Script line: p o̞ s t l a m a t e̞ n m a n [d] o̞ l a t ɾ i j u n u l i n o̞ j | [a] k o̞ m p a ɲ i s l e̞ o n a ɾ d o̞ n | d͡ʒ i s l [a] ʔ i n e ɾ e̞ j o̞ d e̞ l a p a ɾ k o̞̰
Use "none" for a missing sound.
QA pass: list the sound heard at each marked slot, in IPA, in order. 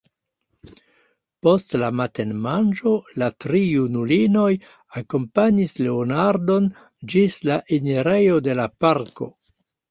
d͡ʒ, a, a

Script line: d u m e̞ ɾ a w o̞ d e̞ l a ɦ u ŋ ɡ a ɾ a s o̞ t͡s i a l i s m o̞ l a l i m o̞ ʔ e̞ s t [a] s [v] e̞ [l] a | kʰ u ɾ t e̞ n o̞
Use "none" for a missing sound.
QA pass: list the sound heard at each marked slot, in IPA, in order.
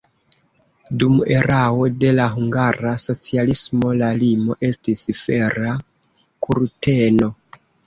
i, f, ɾ

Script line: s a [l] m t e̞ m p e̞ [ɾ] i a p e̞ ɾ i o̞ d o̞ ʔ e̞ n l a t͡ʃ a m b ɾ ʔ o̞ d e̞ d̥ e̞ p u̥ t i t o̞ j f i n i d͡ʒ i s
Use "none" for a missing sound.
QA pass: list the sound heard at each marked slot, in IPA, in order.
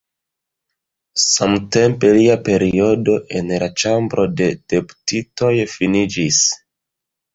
none, l

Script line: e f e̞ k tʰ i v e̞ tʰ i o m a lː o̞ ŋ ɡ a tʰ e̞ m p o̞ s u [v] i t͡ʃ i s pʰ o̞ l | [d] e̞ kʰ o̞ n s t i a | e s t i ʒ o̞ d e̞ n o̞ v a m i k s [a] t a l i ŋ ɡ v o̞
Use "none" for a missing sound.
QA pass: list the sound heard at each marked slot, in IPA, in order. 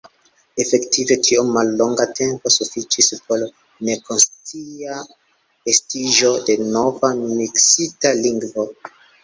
f, n, i

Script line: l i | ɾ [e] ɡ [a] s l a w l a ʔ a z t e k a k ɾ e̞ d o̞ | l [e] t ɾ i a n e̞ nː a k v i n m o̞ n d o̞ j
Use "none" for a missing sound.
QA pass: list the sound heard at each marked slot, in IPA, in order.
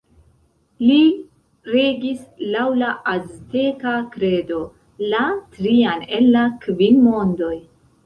e, i, a

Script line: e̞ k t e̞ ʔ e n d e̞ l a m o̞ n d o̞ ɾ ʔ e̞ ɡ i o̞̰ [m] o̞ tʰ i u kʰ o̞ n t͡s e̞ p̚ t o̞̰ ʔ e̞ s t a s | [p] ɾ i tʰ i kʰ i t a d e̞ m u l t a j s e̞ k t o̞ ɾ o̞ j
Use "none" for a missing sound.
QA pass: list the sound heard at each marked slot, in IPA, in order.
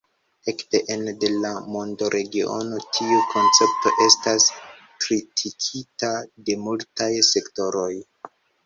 n, k

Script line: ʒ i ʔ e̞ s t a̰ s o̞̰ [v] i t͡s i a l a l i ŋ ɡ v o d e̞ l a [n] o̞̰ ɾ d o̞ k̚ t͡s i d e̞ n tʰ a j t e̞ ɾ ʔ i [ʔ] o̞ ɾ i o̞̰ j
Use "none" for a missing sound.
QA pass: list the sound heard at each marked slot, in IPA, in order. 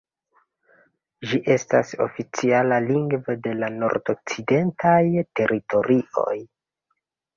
f, n, t

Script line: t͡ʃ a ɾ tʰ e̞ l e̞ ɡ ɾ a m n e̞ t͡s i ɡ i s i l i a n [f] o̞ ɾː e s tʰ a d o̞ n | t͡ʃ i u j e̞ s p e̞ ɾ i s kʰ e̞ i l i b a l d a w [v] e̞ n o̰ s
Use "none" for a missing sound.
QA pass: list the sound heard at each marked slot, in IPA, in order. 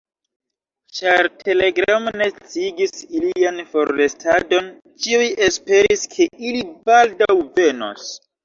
f, v

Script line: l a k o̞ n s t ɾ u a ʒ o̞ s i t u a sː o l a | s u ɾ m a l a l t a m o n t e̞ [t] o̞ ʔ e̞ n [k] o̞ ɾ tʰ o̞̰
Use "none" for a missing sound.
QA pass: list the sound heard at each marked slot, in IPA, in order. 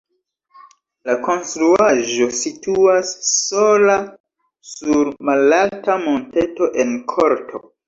t, kʰ

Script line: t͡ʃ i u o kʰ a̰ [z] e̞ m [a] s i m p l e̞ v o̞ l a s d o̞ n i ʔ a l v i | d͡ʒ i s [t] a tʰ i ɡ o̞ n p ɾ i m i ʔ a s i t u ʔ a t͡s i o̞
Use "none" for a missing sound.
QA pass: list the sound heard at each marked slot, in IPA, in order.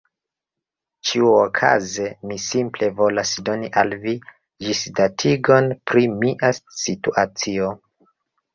z, i, d

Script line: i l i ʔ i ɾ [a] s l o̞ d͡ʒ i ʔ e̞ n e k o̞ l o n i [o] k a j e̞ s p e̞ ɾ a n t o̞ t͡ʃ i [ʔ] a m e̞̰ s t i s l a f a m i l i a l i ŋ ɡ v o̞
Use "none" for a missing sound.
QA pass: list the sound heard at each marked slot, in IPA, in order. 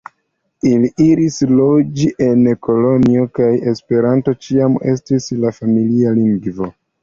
i, o, none

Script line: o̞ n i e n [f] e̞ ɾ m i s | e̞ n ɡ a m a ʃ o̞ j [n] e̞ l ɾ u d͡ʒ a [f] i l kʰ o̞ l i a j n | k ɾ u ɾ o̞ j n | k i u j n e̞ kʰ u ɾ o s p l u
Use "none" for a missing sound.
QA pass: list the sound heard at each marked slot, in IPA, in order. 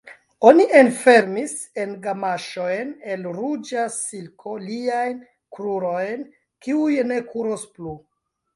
f, n, s

